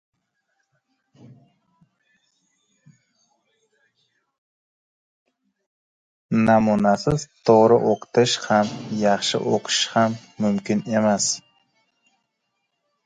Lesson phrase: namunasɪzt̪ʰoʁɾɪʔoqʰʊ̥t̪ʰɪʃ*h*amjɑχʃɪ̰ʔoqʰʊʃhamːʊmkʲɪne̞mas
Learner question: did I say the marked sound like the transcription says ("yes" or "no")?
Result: yes